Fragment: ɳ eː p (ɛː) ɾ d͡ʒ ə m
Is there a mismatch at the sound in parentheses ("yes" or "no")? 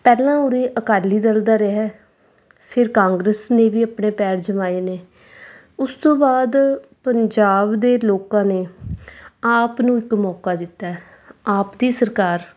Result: no